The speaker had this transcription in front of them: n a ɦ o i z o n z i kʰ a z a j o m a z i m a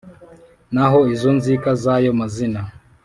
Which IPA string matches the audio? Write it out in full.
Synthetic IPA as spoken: n a ɦ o i z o n z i k a z a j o m a z i n a